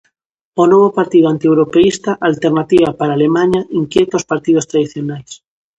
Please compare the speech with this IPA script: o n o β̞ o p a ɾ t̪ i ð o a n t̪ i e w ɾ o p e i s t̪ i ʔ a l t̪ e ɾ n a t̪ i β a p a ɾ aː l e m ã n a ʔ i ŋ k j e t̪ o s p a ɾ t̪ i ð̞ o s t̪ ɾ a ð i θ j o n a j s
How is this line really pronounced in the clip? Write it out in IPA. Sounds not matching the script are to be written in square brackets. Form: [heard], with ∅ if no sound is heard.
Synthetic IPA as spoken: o n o β̞ o p a ɾ t̪ i ð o a n t̪ i e w ɾ o p e i s t̪ [a] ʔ a l t̪ e ɾ n a t̪ i β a p a ɾ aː l e m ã [ɲ] a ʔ i ŋ k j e t̪ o s p a ɾ t̪ i ð̞ o s t̪ ɾ a ð i θ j o n a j s